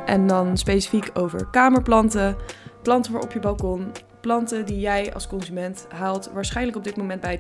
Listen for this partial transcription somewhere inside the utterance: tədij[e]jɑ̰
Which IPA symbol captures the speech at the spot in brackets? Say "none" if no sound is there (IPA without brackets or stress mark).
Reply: ɛ